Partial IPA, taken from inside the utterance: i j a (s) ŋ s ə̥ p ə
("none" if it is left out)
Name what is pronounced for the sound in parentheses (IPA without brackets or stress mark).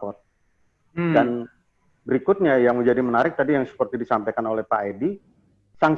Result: none